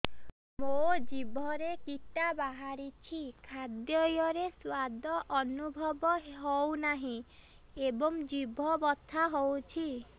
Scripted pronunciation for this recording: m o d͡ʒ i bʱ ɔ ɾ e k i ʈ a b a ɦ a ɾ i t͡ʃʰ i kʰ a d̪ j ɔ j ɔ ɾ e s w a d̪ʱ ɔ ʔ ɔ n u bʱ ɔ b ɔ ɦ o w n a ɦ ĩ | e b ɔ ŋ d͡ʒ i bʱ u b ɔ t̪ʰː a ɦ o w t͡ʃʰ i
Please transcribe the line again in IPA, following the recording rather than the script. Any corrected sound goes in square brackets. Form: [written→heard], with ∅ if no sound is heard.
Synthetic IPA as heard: m o d͡ʒ i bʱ ɔ ɾ e k i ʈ a b a ɦ a ɾ i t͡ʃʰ i kʰ a d̪ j ɔ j ɔ ɾ e s w a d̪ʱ ɔ ʔ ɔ n u bʱ ɔ b ɔ ɦ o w n a ɦ ĩ | e b ɔ ŋ d͡ʒ i bʱ [u→ɔ] b ɔ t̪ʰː a ɦ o w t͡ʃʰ i